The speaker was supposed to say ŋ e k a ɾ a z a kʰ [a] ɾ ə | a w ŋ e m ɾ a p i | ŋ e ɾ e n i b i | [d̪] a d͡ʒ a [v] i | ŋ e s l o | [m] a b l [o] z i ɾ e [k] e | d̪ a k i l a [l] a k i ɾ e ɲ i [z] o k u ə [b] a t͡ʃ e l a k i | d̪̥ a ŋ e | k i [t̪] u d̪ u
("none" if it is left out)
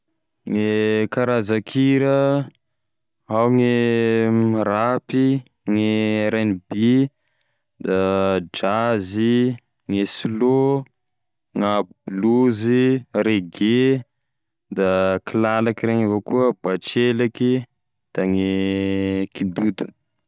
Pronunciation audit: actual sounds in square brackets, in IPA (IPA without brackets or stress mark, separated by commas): i, d̪, z, ŋ, u, ɡ, l, v, b, d̪